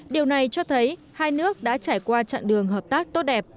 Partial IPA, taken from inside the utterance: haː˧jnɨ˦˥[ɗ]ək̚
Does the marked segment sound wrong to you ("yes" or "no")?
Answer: yes